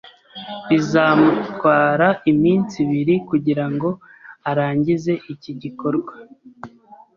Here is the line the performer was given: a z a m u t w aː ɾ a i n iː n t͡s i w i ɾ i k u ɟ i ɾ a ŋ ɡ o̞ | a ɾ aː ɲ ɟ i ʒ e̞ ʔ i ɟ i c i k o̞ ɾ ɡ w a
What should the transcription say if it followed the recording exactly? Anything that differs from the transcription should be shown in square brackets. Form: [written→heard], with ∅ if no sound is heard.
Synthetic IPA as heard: [a→i] z a m u t w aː ɾ a i [n→m] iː n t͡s i [w→β] i ɾ i k u ɟ i ɾ a ŋ ɡ o̞ | a ɾ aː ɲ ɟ i [ʒ→z] e̞ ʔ i [ɟ→c] i [c→ɟ] i k o̞ ɾ ɡ w a